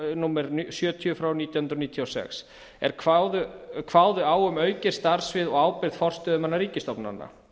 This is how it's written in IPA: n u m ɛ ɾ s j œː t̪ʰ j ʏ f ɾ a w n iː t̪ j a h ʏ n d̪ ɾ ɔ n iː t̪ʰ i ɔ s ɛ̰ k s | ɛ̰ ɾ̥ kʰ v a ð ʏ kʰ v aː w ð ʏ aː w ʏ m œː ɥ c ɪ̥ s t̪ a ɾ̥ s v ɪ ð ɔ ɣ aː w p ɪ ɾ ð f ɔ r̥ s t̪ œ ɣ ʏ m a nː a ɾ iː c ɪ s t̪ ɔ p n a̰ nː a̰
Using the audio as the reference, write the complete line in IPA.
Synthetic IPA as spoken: n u m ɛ ɾ s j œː t̪ʰ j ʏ f ɾ a w n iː t̪ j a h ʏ n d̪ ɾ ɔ n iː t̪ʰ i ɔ s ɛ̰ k s | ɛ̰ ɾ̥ kʰ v a ð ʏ kʰ v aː w ð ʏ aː w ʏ m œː ɥ c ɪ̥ s t̪ a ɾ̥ s v ɪ ð ɔ ɣ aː w p ɪ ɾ ð f ɔ r̥ s t̪ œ ð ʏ m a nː a ɾ iː c ɪ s t̪ ɔ p n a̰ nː a̰